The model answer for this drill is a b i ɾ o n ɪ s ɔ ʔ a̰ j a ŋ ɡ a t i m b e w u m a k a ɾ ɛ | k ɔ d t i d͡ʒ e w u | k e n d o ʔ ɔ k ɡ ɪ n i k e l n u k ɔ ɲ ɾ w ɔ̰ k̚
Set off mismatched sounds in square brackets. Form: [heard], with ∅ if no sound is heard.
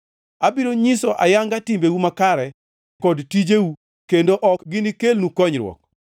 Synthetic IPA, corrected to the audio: a b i ɾ o [ɲ] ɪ s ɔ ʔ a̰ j a ŋ ɡ a t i m b e w u m a k a ɾ ɛ | k ɔ d t i d͡ʒ e w u | k e n d o ʔ ɔ k ɡ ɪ n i k e l n u k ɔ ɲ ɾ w ɔ̰ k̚